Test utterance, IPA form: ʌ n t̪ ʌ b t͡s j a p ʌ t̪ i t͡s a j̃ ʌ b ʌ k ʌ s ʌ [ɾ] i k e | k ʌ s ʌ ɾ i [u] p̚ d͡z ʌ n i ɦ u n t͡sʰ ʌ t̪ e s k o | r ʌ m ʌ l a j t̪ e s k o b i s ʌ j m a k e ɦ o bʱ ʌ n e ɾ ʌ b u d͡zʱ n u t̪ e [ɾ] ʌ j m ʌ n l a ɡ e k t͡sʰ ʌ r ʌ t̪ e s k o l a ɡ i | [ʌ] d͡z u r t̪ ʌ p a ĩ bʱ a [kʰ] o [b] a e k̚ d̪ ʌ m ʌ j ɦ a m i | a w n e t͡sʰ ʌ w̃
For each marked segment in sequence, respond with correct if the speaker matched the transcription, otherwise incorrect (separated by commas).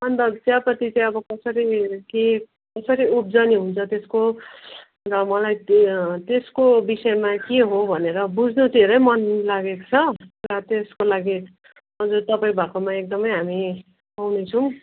correct, correct, correct, correct, incorrect, incorrect